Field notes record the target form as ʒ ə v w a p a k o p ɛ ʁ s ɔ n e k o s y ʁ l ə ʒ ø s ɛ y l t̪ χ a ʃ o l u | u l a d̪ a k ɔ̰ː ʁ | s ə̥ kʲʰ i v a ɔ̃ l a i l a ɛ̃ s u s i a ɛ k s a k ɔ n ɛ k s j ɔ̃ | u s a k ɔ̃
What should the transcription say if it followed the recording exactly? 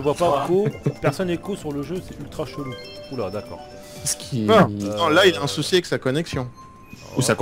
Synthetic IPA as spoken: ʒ ə v w a p a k o p ɛ ʁ s ɔ n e k o s y ʁ l ə ʒ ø s ɛ y l t̪ χ a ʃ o l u | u l a d̪ a k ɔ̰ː ʁ | s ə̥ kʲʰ i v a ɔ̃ l a i l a ɛ̃ s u s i a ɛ k s a k ɔ n ɛ k s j ɔ̃ | u s a k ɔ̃